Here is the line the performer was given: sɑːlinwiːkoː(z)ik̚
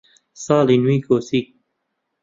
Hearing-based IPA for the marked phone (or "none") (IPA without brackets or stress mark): s